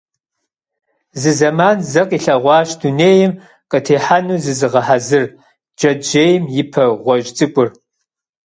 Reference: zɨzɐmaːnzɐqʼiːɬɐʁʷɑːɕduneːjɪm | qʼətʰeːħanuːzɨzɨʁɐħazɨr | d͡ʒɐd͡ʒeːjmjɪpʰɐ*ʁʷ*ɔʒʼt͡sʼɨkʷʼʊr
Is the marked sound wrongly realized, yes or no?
no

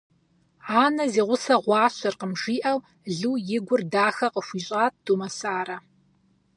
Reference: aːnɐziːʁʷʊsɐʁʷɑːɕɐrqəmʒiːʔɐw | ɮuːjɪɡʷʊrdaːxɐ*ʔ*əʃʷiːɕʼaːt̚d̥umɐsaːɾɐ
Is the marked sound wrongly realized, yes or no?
yes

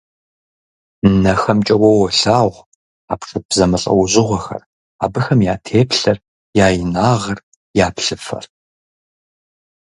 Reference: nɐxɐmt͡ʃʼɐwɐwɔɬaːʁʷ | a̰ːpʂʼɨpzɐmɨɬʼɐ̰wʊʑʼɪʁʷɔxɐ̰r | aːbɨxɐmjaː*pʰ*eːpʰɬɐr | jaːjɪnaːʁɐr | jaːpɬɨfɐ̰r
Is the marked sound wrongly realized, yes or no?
yes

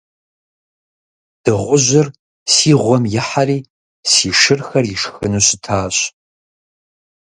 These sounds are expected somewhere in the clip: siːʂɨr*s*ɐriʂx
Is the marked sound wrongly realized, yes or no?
yes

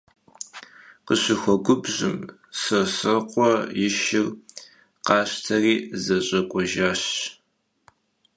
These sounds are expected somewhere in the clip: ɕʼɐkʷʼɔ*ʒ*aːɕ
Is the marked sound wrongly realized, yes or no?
no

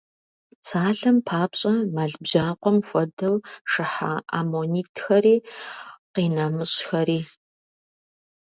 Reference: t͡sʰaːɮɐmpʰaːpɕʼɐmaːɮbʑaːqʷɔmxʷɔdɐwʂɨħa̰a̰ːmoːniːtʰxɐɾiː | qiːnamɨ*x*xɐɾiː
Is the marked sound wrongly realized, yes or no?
yes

